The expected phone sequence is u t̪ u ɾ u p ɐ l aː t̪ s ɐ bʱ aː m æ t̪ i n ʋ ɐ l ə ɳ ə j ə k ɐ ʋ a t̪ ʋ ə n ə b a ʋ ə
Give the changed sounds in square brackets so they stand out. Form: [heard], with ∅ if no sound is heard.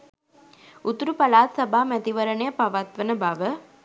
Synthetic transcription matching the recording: u t̪ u ɾ u p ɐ l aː t̪ s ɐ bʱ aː m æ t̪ i [∅] ʋ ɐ [ɾ] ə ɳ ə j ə [p] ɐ ʋ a t̪ ʋ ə n ə b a ʋ ə